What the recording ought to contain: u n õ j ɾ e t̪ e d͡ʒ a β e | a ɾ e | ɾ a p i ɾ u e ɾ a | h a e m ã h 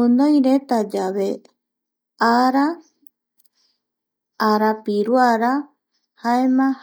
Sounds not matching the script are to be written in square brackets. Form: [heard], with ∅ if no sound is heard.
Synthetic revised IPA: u n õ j ɾ e t̪ [a] d͡ʒ a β e | a ɾ [a] | ɾ a p i ɾ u [a] ɾ a | h a e m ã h